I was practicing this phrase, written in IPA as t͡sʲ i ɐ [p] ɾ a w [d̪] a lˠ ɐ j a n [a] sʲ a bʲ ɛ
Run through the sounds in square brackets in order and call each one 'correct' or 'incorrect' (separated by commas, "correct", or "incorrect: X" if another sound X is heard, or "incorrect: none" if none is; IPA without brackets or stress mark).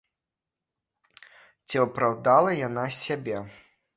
correct, correct, correct